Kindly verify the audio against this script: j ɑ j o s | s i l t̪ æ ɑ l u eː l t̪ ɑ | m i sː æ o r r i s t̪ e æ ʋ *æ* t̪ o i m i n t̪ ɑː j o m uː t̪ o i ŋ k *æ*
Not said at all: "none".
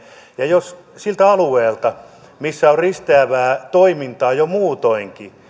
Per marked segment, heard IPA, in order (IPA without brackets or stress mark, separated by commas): æː, i